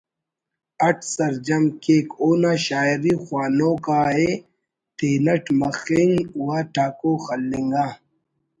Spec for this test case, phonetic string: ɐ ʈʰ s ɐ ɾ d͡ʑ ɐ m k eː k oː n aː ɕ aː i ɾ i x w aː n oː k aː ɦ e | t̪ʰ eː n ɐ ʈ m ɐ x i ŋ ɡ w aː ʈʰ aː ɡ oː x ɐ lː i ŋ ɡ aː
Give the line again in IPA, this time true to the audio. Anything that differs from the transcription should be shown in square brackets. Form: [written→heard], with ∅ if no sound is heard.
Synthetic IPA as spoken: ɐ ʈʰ s ɐ ɾ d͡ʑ ɐ m k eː k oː n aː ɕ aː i ɾ i x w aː n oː k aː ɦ e | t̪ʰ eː n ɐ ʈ m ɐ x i ŋ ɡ w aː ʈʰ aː [ɡ→k] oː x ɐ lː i ŋ ɡ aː